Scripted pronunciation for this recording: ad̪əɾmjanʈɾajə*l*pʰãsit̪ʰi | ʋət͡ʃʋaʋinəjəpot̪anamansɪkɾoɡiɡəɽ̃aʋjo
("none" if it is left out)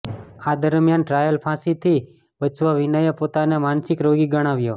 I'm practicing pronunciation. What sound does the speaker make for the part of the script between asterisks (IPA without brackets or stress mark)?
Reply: l